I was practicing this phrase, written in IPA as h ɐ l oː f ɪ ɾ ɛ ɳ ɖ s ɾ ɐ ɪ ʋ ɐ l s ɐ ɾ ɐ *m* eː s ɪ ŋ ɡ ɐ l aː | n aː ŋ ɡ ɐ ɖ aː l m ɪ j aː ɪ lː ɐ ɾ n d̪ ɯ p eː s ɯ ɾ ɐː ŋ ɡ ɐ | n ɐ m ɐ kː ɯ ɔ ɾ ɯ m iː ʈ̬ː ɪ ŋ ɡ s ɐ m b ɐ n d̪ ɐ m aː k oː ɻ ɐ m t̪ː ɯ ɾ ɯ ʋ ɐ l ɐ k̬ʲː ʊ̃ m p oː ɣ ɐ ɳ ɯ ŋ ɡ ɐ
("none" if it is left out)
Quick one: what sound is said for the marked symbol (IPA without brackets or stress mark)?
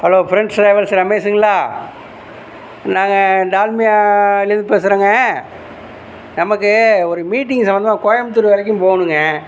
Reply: m